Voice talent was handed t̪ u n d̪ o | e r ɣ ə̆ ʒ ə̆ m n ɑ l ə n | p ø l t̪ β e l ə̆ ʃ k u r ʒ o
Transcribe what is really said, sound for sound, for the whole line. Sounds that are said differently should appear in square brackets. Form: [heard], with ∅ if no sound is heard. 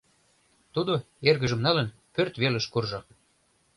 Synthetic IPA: t̪ u [∅] d̪ o | e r ɣ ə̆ ʒ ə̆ m n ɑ l ə n | p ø [r] t̪ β e l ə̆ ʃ k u r ʒ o